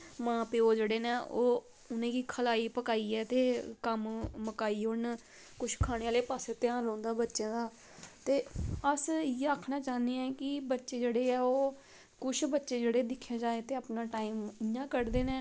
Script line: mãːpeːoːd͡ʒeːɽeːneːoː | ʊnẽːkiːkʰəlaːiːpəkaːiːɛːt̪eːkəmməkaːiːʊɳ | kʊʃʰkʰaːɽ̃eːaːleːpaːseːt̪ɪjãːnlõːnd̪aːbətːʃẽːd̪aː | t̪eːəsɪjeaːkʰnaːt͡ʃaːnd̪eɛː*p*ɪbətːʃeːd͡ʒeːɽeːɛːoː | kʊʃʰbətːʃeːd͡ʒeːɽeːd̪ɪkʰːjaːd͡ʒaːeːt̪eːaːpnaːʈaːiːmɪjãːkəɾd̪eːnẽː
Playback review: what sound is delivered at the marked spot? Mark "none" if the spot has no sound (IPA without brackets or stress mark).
k